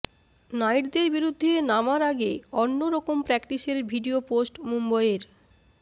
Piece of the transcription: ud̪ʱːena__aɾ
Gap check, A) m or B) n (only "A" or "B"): A